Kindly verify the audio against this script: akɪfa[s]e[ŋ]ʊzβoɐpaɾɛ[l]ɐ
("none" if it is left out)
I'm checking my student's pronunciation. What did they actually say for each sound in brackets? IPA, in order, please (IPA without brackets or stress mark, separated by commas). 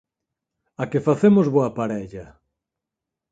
θ, m, ʎ